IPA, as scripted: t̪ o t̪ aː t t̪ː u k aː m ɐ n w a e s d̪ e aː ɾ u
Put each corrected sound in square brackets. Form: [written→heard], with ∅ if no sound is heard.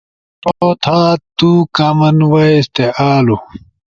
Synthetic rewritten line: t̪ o [t̪→t̪ʰ] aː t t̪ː u k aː m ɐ n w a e s [d̪→t̪] e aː [ɾ→l] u